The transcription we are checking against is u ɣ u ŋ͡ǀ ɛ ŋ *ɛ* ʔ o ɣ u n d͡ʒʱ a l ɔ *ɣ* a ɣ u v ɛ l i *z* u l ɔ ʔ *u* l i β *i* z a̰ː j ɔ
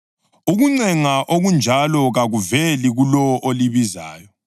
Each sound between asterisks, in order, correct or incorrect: incorrect: a, correct, incorrect: ɣ, incorrect: o, correct

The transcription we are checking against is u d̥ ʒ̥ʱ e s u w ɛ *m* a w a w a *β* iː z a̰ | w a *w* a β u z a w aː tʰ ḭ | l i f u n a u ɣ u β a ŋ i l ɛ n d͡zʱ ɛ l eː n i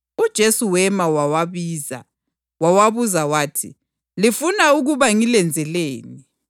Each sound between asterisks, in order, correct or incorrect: correct, correct, correct

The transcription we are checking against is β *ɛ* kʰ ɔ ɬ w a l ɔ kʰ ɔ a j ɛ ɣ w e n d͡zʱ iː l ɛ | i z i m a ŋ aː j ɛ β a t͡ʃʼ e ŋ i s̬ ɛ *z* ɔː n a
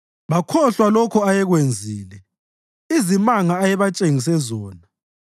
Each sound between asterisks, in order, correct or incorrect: incorrect: a, correct

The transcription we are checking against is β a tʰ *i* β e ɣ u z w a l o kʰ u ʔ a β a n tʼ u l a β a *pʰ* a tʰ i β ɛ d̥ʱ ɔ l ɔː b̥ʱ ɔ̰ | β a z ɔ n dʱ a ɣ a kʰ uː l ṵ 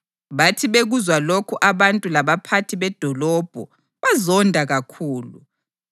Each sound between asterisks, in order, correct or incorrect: correct, correct

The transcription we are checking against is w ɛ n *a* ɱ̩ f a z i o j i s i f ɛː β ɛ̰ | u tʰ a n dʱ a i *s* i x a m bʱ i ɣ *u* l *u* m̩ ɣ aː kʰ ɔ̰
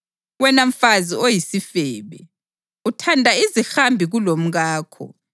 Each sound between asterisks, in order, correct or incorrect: correct, incorrect: z, correct, incorrect: o

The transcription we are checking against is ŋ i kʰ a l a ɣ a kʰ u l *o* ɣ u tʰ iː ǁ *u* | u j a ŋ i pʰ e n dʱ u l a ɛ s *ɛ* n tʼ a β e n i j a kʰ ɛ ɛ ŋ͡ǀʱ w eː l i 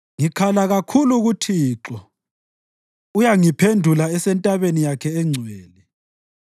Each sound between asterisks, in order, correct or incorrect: incorrect: u, incorrect: ɔ, correct

